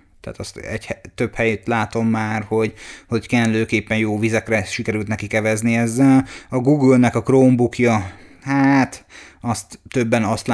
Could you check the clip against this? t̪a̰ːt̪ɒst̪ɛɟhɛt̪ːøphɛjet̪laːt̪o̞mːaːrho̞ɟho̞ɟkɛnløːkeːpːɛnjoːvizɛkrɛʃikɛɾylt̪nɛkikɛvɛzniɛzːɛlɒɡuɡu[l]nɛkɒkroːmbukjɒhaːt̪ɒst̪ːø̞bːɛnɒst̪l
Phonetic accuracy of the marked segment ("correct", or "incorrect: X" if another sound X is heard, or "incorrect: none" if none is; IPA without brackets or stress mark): correct